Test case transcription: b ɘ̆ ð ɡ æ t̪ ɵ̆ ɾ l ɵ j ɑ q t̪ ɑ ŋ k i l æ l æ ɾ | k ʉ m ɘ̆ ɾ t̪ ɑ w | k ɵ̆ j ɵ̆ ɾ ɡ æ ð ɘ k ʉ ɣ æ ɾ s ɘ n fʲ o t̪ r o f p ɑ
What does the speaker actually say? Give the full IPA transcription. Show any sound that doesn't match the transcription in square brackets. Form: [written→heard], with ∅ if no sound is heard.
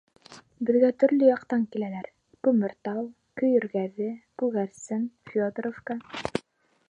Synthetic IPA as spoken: b ɘ̆ ð ɡ æ t̪ ɵ̆ ɾ l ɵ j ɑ q t̪ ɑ ŋ k i l æ l æ ɾ | k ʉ m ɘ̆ ɾ t̪ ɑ w | k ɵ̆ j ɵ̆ ɾ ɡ æ ð ɘ k ʉ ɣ æ ɾ s ɘ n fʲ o [t̪→d̪] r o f [p→k] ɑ

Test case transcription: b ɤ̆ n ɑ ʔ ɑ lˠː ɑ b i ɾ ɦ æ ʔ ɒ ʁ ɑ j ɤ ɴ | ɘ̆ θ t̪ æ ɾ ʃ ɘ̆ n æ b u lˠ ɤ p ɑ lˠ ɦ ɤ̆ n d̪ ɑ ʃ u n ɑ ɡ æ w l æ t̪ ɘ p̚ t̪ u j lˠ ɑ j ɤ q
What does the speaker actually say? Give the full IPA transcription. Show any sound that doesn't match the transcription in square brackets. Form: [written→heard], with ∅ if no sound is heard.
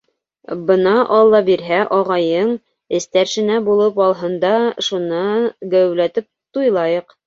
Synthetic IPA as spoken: b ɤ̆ n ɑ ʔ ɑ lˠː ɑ b i ɾ ɦ æ ʔ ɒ ʁ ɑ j ɤ ɴ | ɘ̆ [θ→s] t̪ æ ɾ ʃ ɘ̆ n æ b u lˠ ɤ p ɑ lˠ ɦ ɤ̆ n d̪ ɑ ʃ u n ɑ ɡ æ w l æ t̪ ɘ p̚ t̪ u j lˠ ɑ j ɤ q

